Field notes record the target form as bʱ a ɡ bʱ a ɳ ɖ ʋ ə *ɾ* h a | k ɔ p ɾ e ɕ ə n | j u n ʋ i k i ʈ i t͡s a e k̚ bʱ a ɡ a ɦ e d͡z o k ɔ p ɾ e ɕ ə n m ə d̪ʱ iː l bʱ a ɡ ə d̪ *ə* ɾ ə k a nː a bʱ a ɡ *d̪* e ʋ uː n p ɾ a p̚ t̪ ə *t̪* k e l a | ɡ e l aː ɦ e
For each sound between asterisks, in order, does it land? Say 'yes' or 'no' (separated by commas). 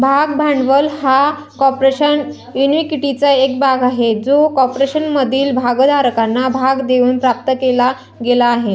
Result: no, no, yes, no